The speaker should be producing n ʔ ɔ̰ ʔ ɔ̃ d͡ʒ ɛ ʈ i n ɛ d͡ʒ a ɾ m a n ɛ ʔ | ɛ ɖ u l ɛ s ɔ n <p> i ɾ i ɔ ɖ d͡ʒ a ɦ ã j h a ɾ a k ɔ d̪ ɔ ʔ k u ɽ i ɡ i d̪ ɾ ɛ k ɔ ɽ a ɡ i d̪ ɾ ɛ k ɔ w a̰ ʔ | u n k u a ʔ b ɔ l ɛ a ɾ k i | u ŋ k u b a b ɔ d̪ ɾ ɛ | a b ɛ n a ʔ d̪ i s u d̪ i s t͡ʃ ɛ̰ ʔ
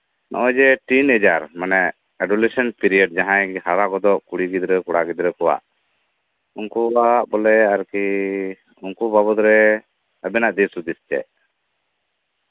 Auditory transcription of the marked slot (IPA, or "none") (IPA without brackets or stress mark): p